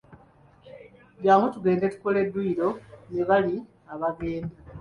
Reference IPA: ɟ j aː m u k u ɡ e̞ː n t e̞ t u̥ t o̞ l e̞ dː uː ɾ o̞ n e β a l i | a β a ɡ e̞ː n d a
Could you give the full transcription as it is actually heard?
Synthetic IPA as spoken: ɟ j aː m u t u ɡ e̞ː n d e̞ t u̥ k o̞ l e̞ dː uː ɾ o̞ n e β a l i | a β a ɡ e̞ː n d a

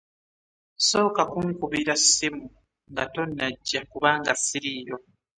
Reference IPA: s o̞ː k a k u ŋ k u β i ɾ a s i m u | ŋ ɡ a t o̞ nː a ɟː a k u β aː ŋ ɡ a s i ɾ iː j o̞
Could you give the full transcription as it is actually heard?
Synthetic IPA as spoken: s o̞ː k a k u ŋ k u β i ɾ a s i m u | ŋ ɡ a t o̞ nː a ɟː a k u β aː ŋ ɡ a s i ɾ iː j o̞

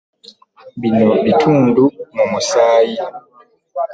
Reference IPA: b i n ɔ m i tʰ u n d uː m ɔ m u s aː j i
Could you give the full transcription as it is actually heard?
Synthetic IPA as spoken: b i n ɔ b i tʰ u n d u m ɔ m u s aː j i

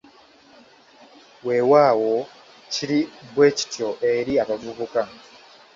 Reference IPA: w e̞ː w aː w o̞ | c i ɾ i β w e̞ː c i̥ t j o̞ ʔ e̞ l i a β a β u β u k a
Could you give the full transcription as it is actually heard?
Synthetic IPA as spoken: w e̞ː w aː w o̞ | c i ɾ i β w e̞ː c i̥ t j o̞ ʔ e̞ ɾ i a β a v u β u k a

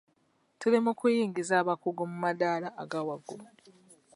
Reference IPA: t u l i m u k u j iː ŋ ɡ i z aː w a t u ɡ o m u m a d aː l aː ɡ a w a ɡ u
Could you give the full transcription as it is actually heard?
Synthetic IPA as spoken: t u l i m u k u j iː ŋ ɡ i z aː β a k u ɡ o m u m a d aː l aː ɡ a w a ɡ o

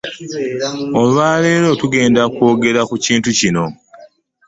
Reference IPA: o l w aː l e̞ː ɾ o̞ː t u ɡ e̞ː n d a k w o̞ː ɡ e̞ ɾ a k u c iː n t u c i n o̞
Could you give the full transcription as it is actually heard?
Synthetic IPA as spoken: o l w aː l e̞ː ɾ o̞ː t u ɡ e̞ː n d a k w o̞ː ɡ e̞ ɾ a k u c iː n t u c i n o̞

